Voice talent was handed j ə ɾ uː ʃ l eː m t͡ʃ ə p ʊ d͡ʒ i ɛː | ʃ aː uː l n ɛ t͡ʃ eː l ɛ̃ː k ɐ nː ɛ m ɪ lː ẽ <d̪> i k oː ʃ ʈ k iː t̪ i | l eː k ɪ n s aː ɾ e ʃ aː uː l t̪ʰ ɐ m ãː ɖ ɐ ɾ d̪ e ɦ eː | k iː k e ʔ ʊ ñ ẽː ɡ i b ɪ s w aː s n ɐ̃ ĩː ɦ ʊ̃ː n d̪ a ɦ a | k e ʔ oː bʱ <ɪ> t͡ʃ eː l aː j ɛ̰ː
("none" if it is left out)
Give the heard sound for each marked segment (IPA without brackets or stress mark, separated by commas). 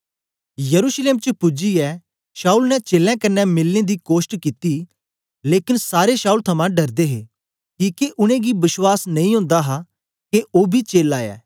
d̪, i